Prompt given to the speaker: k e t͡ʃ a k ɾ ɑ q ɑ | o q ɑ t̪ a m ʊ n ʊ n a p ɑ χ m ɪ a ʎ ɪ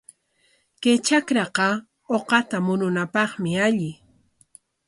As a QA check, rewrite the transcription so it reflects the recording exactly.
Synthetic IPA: k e t͡ʃ a k ɾ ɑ q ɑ | o q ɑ t̪ a m ʊ n ʊ n a p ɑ χ m ɪ a ʎ ɪ